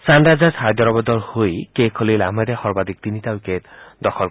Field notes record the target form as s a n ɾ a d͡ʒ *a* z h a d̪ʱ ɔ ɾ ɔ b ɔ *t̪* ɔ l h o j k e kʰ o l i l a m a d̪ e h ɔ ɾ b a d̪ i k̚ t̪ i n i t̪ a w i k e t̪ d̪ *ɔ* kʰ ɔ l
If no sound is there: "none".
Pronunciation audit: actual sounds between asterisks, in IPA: a, d̪, ɔ

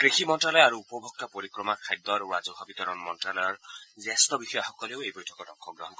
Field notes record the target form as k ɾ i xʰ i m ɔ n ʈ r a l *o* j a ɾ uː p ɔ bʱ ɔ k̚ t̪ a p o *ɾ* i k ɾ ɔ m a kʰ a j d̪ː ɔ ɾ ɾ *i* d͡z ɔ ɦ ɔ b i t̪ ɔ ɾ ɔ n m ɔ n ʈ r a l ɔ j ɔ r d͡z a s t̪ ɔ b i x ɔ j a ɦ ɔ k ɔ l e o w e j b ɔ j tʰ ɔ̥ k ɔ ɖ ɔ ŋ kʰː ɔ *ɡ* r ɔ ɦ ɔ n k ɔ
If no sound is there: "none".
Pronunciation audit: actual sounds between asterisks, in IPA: ɔ, ɾ, a, ɡ

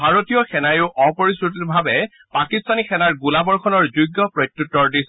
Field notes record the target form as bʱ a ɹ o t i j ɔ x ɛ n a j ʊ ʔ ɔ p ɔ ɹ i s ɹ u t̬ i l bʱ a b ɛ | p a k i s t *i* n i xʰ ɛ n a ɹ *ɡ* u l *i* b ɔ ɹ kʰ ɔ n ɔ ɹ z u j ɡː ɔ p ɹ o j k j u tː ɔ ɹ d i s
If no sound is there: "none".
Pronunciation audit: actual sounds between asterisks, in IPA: a, ɡ, a

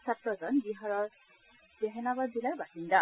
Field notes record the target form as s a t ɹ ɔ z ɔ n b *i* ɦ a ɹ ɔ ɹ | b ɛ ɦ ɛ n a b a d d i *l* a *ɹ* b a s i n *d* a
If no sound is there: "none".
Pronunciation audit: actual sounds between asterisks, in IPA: i, l, ɹ, d

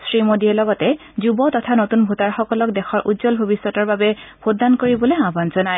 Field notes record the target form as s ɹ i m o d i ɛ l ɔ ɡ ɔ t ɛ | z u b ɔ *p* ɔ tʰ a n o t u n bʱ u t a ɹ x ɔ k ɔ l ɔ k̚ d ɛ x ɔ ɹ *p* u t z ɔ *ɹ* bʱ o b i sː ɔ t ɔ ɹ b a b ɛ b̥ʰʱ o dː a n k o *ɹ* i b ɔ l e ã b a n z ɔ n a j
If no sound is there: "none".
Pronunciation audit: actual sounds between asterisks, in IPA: t, ʔ, l, ɹ

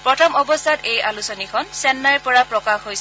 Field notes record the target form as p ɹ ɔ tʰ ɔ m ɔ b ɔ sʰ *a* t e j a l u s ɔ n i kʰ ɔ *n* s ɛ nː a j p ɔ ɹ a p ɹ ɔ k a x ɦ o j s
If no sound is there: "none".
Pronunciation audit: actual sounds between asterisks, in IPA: a, n

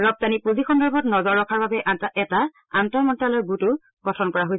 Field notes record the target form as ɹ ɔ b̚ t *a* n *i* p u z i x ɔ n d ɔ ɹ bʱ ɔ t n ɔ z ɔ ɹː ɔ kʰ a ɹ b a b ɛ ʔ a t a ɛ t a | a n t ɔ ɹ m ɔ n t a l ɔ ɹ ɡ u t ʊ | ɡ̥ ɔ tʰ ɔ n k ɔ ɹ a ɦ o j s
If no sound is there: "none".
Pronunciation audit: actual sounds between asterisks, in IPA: a, i

